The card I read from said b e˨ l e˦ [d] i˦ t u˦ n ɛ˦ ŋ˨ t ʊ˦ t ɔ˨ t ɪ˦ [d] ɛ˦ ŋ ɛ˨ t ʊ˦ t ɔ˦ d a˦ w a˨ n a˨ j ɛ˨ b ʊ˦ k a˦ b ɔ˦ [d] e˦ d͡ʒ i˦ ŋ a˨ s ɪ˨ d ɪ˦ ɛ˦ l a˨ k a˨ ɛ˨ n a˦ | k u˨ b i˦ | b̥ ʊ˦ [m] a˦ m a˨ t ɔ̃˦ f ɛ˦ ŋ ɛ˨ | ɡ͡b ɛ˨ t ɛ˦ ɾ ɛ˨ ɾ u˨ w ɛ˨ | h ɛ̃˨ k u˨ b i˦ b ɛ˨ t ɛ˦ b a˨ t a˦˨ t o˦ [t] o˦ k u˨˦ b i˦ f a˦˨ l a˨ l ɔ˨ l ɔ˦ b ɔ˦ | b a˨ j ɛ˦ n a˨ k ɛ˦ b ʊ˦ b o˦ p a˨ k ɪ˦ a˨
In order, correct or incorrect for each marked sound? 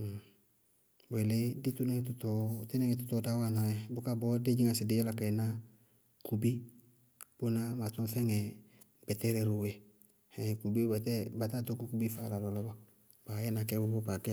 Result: correct, incorrect: n, correct, incorrect: n, incorrect: k

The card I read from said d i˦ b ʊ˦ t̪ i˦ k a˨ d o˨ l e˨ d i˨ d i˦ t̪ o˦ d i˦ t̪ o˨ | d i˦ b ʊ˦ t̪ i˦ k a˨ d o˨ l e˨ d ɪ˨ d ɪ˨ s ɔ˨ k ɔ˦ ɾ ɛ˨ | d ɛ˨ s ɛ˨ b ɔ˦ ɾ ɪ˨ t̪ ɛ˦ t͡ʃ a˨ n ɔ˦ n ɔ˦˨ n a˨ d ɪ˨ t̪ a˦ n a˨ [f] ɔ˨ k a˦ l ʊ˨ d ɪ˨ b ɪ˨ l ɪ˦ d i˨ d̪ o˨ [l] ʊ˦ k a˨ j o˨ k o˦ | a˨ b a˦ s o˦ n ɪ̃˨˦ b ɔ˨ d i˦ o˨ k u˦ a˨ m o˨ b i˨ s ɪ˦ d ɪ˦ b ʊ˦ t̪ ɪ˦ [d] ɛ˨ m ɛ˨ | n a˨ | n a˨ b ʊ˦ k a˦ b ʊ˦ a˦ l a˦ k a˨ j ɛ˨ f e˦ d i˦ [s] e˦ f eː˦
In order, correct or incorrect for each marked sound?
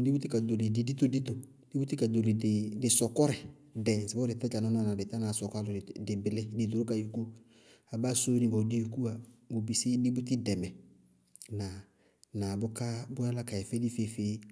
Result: incorrect: s, incorrect: ɾ, correct, incorrect: f

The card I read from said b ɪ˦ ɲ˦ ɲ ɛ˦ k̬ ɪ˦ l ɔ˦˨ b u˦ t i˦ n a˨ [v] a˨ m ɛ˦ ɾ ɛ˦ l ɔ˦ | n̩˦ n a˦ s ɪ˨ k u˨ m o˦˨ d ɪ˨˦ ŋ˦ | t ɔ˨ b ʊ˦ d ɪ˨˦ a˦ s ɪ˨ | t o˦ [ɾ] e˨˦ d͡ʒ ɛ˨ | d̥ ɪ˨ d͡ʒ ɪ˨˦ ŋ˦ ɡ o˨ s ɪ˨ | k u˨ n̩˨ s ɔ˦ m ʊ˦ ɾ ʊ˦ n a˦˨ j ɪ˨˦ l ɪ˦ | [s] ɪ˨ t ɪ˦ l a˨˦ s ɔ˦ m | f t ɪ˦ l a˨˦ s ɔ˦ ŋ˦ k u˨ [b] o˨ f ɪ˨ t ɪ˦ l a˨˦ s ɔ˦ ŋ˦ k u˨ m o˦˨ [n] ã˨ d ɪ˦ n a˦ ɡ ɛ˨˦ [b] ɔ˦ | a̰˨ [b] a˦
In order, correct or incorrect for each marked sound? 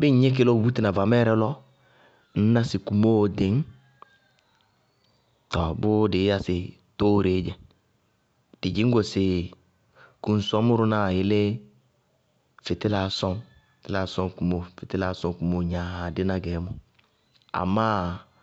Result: correct, correct, incorrect: f, incorrect: m, incorrect: ɲ, incorrect: m, incorrect: m

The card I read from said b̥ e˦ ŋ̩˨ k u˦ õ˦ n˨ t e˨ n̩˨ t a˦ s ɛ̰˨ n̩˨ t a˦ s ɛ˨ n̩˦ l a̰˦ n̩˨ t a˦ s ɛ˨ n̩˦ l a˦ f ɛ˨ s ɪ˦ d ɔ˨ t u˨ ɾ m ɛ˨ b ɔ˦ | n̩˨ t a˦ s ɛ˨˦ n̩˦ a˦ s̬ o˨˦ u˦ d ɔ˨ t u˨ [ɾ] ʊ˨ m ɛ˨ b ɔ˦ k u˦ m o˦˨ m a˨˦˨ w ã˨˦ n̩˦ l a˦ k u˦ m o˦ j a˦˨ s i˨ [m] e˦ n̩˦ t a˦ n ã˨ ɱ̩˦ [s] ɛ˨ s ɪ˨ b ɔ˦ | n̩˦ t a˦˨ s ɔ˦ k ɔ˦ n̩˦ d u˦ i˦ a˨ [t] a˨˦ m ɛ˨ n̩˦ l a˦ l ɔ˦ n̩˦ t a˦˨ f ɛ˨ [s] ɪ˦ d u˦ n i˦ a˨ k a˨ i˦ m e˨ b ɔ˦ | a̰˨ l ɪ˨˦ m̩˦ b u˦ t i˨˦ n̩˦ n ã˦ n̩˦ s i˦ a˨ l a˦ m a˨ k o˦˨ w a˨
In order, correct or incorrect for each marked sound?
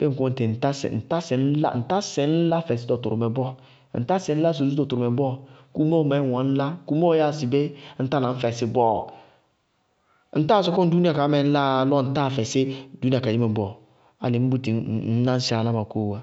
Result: correct, incorrect: b, incorrect: f, incorrect: k, correct

